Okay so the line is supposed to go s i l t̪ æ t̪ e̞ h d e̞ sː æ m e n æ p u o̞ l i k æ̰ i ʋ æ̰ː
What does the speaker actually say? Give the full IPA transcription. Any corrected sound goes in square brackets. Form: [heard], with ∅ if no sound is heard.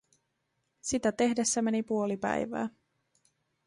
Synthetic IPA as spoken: s i [∅] t̪ æ t̪ e̞ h d e̞ sː æ m e n [i] p u o̞ l i [p] æ̰ [j] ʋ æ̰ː